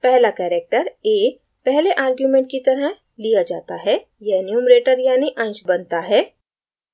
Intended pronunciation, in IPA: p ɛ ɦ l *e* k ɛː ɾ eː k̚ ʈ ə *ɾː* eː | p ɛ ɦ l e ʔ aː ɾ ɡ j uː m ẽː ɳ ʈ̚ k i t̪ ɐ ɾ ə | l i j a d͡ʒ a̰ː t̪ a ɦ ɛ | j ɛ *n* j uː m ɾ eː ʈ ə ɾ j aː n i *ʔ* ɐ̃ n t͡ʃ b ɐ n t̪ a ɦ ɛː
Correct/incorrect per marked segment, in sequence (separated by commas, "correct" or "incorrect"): incorrect, incorrect, correct, correct